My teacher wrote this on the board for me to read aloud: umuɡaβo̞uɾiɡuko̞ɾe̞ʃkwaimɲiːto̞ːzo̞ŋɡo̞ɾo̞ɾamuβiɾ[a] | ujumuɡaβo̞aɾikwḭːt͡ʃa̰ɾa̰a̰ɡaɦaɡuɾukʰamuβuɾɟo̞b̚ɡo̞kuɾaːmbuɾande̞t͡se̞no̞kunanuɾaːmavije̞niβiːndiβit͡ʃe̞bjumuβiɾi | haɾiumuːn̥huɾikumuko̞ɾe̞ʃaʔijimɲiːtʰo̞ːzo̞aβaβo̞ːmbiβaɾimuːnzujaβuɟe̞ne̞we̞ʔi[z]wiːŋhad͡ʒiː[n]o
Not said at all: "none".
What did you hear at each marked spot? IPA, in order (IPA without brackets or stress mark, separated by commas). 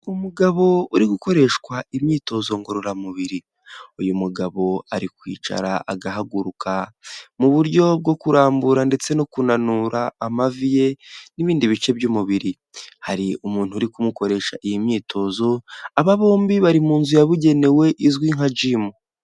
i, z, m